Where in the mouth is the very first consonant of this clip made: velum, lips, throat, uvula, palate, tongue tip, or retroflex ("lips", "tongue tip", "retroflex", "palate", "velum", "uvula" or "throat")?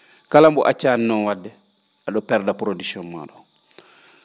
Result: velum